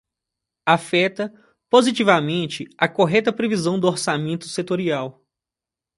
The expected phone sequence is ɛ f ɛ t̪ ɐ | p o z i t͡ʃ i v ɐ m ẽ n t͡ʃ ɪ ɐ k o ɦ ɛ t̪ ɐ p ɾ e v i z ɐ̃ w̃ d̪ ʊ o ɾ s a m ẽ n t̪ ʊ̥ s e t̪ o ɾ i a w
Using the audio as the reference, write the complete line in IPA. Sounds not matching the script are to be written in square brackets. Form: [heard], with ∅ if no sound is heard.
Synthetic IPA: [a] f ɛ t̪ ɐ | p o z i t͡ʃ i v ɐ m ẽ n t͡ʃ ɪ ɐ k o ɦ ɛ t̪ ɐ p ɾ e v i z ɐ̃ w̃ d̪ ʊ o ɾ s a m ẽ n t̪ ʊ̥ s e t̪ o ɾ i a w